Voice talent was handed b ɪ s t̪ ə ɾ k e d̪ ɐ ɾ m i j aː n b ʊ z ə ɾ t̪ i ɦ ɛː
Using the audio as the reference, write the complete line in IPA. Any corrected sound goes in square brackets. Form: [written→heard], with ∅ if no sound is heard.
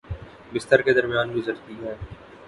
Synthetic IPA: b ɪ s t̪ ə ɾ k e d̪ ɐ ɾ m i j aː n [b→ɡ] ʊ z ə ɾ t̪ i ɦ ɛː